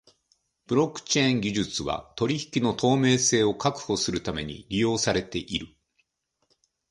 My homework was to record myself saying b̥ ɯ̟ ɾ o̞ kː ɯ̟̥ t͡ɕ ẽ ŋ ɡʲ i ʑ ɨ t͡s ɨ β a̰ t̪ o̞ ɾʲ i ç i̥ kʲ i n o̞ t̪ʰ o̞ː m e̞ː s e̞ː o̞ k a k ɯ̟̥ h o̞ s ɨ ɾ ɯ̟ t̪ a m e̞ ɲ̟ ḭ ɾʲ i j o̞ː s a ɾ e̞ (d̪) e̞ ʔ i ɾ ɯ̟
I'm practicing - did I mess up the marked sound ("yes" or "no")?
yes